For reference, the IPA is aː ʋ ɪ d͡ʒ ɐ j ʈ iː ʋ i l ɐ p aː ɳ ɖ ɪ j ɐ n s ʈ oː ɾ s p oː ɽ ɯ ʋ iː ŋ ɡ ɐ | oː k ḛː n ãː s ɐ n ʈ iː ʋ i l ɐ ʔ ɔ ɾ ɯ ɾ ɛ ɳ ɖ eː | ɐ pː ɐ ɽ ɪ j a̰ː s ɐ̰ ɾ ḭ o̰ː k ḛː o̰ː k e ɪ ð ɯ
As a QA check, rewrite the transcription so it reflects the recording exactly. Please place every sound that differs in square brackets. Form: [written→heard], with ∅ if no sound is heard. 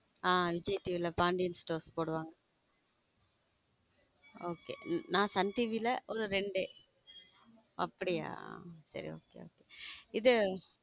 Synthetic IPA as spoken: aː ʋ ɪ d͡ʒ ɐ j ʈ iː ʋ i l ɐ p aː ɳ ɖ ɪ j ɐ n s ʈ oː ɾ s p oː ɽ ɯ ʋ [iː→aː] ŋ ɡ ɐ | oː k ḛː n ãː s ɐ n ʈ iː ʋ i l ɐ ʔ ɔ ɾ ɯ ɾ ɛ ɳ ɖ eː | ɐ pː ɐ ɽ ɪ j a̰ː s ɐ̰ ɾ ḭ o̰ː k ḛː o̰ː k e ɪ ð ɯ